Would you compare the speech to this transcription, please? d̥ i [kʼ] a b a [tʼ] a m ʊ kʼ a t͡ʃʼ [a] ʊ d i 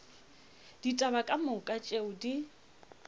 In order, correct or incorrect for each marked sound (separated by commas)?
incorrect, incorrect, incorrect